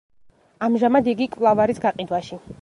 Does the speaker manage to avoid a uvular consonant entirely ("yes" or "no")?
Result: no